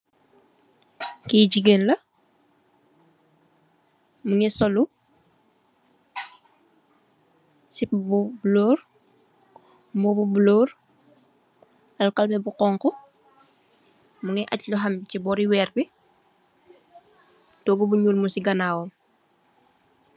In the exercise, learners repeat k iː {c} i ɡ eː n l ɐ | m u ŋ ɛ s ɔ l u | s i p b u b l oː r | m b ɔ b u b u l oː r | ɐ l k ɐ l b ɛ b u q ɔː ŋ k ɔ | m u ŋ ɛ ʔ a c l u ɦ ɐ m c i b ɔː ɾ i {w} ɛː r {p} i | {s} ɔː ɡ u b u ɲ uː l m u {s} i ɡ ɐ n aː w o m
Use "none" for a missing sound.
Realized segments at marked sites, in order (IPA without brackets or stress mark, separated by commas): ɟ, w, b, t, s